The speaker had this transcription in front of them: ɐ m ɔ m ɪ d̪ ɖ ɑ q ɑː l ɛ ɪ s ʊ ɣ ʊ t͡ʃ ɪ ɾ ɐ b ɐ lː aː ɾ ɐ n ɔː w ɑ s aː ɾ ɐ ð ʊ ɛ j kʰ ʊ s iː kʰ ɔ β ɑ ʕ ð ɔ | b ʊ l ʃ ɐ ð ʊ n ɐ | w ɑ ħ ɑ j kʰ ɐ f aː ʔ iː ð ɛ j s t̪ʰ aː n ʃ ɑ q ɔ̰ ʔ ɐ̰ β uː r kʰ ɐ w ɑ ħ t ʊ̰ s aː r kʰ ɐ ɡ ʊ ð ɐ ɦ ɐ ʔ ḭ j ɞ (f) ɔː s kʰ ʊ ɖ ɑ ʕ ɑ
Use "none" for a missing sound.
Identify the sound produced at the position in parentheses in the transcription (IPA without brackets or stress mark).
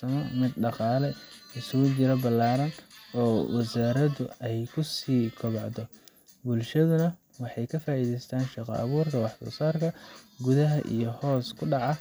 h